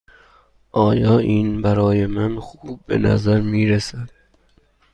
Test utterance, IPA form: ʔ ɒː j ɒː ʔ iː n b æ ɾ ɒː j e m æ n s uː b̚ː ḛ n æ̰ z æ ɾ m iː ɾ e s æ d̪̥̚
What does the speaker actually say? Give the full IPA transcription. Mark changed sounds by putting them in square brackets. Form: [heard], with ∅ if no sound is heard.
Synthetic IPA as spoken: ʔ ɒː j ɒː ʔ iː n b æ ɾ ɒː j e m æ n [x] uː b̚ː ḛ n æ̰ z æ ɾ m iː ɾ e s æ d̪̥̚